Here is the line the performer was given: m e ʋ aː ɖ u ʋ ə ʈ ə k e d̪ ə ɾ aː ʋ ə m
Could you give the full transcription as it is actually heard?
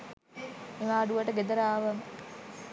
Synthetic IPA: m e ʋ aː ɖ u ʋ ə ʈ ə ɡ e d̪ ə ɾ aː ʋ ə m

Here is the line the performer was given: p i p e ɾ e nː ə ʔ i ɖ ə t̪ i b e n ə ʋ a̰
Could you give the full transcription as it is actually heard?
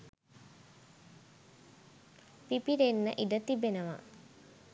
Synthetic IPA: p i p i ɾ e nː ə ʔ i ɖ ə t̪ i b e n ə ʋ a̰

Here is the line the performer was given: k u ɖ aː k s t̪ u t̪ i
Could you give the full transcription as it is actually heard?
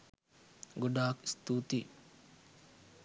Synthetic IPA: ɡ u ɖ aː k s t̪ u t̪ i

